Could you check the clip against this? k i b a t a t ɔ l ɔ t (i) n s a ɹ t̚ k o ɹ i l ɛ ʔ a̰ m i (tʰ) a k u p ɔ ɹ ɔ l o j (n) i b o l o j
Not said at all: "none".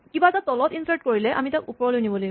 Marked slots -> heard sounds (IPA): i, t, n

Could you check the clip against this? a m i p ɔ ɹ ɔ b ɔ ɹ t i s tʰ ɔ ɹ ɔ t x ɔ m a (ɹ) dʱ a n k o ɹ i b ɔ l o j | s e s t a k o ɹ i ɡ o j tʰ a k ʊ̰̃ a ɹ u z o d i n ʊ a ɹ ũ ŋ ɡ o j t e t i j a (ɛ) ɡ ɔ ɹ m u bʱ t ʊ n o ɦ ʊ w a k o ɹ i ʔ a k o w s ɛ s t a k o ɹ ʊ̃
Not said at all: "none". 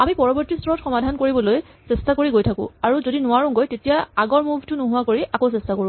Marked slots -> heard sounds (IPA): none, a

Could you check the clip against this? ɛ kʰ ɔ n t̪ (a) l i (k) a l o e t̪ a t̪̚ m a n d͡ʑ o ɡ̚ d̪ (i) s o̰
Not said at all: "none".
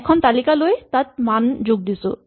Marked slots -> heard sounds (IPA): a, k, i

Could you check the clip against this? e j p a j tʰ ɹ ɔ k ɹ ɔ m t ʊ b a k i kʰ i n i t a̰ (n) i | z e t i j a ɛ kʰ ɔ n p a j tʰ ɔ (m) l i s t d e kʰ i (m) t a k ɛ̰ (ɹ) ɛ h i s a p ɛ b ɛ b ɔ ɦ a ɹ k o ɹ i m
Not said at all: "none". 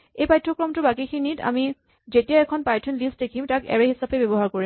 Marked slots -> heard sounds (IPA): m, n, m, ɹ

